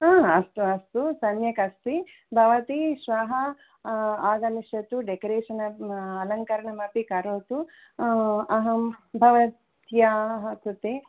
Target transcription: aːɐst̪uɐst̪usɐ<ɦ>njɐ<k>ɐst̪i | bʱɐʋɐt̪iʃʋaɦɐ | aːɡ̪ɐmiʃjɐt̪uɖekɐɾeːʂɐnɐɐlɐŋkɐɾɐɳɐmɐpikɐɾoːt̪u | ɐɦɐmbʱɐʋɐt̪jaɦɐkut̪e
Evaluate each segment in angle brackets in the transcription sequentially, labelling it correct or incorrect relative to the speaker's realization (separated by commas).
incorrect, correct